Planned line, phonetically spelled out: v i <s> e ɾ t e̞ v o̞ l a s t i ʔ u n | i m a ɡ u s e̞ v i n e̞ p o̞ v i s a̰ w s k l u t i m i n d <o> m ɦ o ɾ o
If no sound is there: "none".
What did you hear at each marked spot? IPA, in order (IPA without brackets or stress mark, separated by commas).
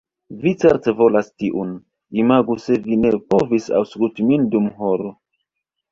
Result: t͡s, u